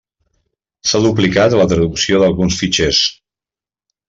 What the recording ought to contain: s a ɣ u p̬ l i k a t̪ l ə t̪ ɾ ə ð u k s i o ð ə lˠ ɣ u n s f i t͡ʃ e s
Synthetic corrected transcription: s a ð u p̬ l i k a t̪ l ə t̪ ɾ ə ð u k s i o ð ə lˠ ɣ u n s f i t͡ʃ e s